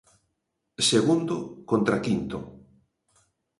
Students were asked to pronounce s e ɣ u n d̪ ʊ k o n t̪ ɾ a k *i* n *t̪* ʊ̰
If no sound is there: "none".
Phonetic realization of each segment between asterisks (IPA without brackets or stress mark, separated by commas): i, t̪